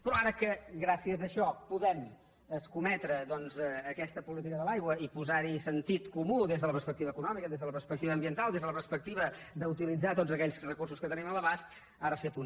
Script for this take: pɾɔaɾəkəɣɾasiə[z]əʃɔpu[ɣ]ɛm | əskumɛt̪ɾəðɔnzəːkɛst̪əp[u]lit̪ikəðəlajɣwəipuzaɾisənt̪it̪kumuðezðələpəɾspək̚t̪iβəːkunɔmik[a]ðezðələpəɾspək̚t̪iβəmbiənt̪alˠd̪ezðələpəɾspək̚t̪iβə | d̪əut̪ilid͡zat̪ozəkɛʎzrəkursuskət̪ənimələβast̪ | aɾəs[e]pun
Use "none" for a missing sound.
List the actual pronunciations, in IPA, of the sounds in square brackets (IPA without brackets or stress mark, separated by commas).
z, ð, u, ə, e